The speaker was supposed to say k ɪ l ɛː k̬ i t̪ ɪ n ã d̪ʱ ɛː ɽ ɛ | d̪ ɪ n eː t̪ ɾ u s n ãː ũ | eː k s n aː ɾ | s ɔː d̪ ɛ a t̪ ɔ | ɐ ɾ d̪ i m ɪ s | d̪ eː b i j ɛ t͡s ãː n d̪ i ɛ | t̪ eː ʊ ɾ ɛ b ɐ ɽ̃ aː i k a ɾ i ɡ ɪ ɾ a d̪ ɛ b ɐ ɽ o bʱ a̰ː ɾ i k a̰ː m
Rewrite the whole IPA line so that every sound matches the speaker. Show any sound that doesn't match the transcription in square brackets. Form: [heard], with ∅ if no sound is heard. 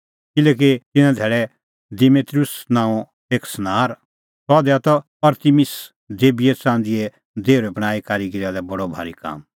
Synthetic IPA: k ɪ l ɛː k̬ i t̪ ɪ n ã d̪ʱ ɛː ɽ ɛ | d̪ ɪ [m] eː t̪ ɾ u s n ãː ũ | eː k s n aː ɾ | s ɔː d̪ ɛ a t̪ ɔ | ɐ ɾ [t̪] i m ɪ s | d̪ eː b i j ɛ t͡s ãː n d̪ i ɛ | [d̪] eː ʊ ɾ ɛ b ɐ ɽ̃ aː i k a ɾ i ɡ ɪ ɾ a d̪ ɛ b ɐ ɽ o bʱ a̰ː ɾ i k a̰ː m